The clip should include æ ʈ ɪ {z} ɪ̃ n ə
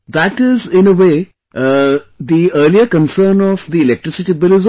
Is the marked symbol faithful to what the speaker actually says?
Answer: yes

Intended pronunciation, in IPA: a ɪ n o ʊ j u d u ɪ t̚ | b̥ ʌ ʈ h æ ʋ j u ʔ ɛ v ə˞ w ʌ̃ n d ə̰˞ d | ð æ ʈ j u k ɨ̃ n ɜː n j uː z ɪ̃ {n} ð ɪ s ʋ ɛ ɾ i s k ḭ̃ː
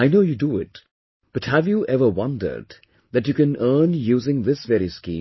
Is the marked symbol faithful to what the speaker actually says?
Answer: no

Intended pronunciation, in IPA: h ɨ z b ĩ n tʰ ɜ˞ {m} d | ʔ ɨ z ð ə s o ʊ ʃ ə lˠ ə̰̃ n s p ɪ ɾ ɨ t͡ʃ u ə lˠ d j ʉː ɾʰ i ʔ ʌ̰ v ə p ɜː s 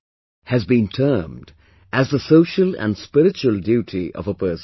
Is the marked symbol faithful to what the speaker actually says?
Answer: yes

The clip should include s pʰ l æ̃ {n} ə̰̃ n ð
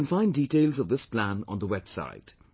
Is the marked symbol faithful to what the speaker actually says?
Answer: yes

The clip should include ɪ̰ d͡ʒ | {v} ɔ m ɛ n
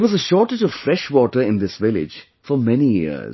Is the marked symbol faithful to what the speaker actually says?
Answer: no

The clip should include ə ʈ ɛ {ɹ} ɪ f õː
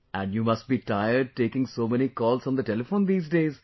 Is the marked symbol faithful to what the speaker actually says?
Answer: no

